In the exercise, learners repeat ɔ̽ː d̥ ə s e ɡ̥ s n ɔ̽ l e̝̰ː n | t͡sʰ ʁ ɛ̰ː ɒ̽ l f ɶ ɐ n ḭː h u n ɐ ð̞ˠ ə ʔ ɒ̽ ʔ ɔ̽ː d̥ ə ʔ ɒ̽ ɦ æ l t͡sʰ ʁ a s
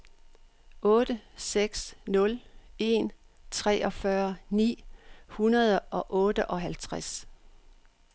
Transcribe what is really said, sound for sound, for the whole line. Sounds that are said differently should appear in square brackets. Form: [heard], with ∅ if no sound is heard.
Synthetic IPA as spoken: ɔ̽ː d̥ ə s e ɡ̥ s n ɔ̽ l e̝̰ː n | t͡sʰ ʁ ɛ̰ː ɒ̽ [∅] f ɶ ɐ n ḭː h u n ɐ ð̞ˠ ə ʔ ɒ̽ ʔ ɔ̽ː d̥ ə ʔ ɒ̽ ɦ æ l t͡sʰ ʁ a s

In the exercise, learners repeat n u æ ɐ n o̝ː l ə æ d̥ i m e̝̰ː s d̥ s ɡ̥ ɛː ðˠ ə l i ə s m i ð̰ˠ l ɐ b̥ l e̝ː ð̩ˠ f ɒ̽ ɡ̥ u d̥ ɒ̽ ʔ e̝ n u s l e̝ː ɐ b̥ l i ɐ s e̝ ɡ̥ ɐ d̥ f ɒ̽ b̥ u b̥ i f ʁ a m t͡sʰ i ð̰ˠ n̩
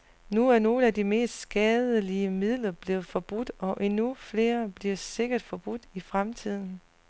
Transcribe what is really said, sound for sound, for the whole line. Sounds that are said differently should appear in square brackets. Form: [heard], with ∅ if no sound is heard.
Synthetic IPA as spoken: n u æ ɐ n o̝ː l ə æ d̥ i m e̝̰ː s d̥ s ɡ̥ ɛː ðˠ ə l i ə [∅] m i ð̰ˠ l ɐ b̥ l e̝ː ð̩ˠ f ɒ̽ [b̥] u d̥ ɒ̽ ʔ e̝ n u [f] l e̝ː ɐ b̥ l i ɐ s e̝ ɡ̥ ɐ d̥ f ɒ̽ b̥ u [d̥] i f ʁ a m t͡sʰ i ð̰ˠ n̩

